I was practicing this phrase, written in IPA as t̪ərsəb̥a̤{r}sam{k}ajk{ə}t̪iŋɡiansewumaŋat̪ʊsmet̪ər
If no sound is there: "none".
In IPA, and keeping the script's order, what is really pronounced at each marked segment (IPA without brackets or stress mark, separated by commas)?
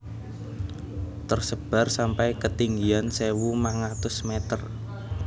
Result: r, p, ə